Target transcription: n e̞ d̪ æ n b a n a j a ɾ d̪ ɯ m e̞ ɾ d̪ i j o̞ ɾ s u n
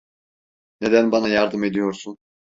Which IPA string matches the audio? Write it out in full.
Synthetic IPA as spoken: n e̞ d̪ æ n b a n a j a ɾ d̪ ɯ m e̞ d̪ i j o̞ ɾ s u n